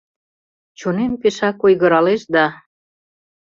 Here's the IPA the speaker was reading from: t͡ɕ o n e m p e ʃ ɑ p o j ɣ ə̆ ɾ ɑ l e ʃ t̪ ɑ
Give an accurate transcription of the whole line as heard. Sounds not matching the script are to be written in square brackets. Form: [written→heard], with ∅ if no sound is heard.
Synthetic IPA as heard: t͡ɕ o n e m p e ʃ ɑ [p→k] o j ɣ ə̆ ɾ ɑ l e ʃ [t̪→d̪] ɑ